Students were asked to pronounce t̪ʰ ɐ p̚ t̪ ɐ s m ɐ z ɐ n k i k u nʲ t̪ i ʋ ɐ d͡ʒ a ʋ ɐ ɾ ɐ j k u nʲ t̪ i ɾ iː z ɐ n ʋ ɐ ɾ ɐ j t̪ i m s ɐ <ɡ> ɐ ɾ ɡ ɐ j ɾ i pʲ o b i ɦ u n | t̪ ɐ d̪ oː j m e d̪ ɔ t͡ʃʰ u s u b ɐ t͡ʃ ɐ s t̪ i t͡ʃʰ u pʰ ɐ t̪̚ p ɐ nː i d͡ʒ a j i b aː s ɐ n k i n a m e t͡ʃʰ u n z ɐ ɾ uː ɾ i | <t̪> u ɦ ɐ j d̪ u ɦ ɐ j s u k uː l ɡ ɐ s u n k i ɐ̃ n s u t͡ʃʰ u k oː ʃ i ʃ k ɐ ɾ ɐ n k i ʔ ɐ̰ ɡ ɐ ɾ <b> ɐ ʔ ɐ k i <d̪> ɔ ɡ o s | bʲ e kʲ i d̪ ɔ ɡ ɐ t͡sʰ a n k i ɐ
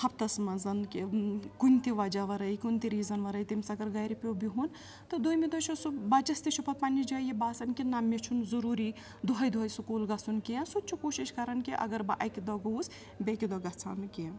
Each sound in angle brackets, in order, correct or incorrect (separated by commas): correct, incorrect, correct, correct